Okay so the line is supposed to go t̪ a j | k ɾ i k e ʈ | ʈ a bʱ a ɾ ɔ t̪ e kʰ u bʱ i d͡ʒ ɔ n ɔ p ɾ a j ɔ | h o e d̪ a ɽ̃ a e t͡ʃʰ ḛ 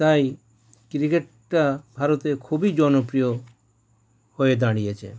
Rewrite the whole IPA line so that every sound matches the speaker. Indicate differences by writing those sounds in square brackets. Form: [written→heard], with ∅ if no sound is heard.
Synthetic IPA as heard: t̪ a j | k ɾ i k e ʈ | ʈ a bʱ a ɾ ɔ t̪ e kʰ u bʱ i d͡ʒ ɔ n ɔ p ɾ [a→i] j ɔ | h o e d̪ a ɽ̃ [a→i] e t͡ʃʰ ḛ